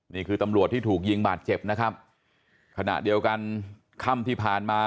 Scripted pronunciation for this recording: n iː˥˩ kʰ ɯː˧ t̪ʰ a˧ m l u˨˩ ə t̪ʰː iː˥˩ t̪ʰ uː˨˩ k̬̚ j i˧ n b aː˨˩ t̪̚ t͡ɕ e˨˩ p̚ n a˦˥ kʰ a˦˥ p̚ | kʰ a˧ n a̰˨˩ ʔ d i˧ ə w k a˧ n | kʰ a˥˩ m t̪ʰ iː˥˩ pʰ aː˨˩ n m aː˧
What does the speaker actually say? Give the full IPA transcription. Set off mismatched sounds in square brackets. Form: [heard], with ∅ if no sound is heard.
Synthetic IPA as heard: n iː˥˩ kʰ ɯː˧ [t̪] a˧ m [ɾ] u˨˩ ə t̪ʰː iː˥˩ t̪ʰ uː˨˩ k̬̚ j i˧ [ŋ] b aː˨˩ t̪̚ t͡ɕ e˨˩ p̚ n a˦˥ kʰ a˦˥ p̚ | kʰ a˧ n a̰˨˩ ʔ d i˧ ə w k a˧ n | kʰ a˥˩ m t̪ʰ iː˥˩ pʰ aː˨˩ n m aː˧